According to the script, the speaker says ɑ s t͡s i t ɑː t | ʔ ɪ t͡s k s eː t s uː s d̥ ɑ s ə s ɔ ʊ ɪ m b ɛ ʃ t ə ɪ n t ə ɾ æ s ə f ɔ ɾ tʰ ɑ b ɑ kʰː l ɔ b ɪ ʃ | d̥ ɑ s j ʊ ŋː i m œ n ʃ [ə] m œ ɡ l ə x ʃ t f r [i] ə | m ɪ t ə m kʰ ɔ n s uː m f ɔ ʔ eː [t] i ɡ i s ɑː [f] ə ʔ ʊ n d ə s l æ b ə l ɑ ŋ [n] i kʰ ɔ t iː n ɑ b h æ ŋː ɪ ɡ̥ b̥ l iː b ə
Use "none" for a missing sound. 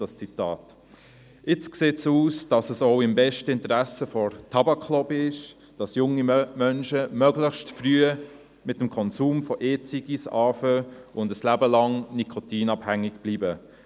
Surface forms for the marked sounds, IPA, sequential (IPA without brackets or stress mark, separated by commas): ə, y, t͡s, f, n